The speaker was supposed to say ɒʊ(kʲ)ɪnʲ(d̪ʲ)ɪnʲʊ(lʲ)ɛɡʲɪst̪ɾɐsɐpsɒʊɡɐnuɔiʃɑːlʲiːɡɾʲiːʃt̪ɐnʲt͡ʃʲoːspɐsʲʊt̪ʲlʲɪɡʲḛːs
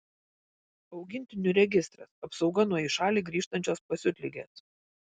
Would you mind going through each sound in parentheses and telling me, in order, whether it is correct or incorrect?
incorrect: ɡʲ, incorrect: t̪ʲ, incorrect: ɾʲ

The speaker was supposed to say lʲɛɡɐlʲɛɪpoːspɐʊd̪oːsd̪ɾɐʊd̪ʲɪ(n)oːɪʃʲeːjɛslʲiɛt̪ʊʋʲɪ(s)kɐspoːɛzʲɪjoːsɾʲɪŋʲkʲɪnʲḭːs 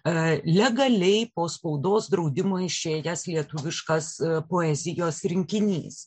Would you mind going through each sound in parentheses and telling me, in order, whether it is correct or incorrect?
incorrect: m, incorrect: ʃ

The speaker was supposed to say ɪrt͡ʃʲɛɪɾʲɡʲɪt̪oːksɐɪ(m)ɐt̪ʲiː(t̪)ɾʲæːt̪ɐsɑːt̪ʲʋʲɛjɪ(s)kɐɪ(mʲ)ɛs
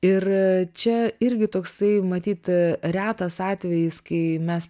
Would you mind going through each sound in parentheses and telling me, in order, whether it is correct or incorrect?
correct, correct, correct, correct

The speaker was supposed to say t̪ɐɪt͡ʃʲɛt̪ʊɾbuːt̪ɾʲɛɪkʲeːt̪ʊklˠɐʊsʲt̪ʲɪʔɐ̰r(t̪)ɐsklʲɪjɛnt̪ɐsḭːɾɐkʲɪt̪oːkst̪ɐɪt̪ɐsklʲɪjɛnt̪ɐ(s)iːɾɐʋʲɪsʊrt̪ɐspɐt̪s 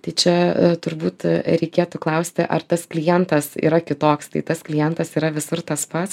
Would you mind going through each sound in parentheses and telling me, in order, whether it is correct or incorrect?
correct, correct

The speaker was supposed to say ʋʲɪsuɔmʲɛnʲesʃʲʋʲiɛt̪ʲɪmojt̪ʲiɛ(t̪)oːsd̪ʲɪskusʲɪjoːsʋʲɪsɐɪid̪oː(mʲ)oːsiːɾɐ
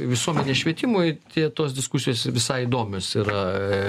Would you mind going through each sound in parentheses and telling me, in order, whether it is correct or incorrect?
correct, correct

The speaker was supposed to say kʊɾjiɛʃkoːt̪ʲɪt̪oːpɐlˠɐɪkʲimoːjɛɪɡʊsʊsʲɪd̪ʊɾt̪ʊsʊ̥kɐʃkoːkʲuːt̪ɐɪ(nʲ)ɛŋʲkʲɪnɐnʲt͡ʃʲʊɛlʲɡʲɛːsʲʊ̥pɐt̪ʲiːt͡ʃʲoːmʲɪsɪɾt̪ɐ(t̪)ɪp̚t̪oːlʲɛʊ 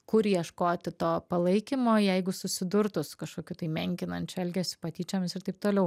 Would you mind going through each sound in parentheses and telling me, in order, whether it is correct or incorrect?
incorrect: mʲ, incorrect: none

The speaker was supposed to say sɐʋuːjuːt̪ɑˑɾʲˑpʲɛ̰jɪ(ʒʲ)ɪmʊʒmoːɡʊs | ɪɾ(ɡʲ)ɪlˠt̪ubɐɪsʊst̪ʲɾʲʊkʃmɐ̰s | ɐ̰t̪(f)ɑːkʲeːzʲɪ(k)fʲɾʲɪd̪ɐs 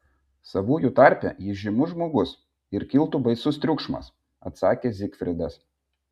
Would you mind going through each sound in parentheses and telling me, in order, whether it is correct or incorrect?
correct, incorrect: kʲ, incorrect: s, correct

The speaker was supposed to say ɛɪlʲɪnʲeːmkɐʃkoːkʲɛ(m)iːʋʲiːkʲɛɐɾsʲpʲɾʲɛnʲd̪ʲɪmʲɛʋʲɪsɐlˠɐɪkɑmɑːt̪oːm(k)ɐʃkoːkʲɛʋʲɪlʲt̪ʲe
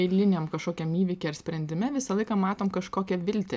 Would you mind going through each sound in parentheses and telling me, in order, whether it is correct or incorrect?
correct, correct

